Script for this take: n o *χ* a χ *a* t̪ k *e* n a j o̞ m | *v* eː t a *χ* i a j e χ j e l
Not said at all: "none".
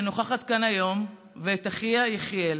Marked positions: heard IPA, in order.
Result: χ, a, a, v, χ

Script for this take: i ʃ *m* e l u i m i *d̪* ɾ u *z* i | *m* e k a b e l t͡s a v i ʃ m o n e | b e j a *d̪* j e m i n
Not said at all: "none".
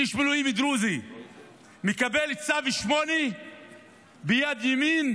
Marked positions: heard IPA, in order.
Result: m, d̪, z, m, d̪

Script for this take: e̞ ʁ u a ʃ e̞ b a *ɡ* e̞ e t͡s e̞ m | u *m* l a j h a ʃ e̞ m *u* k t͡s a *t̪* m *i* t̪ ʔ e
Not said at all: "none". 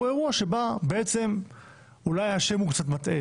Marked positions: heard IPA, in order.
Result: b, none, u, t̪, a

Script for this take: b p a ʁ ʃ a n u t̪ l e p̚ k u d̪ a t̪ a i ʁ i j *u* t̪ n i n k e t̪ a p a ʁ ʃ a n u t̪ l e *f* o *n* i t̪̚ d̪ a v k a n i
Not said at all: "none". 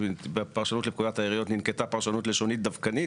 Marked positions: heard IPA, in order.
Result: o, ʃ, n

